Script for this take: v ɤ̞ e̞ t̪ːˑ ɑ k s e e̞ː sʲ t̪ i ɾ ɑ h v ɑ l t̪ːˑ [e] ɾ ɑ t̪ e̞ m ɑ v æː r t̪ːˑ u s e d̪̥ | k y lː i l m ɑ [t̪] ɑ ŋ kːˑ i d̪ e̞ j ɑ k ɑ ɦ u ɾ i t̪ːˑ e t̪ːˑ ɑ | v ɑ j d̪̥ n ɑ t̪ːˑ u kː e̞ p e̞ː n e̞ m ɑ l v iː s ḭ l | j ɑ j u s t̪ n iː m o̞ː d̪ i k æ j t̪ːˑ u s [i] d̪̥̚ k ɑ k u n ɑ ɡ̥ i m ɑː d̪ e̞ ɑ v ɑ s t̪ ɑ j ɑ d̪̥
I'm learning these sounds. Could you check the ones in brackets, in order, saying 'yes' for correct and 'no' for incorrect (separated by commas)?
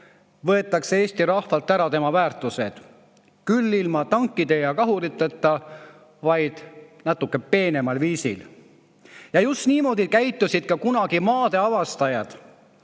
no, yes, yes